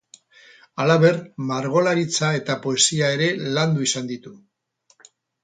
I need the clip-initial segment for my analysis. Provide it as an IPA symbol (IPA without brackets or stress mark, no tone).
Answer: a